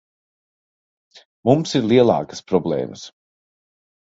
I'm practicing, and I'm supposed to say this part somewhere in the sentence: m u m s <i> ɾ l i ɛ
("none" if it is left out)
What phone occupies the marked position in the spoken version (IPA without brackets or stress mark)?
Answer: i